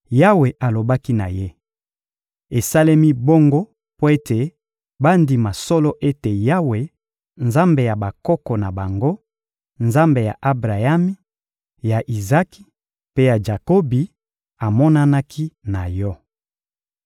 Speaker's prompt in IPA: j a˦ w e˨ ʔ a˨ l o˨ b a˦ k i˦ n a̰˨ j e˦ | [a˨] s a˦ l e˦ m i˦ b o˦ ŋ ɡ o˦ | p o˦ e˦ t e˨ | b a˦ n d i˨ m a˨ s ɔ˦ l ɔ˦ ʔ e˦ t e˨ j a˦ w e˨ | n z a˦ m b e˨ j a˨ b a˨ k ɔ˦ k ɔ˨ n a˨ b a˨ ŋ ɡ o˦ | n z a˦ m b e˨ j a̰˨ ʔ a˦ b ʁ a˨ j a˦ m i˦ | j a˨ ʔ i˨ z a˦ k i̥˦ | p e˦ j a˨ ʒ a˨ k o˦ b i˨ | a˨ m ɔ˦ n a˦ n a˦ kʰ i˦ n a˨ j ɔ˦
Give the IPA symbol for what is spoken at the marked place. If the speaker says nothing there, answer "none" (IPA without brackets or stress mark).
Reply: e˨